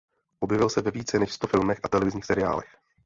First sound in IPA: ʔ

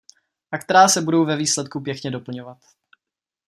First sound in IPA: ʔ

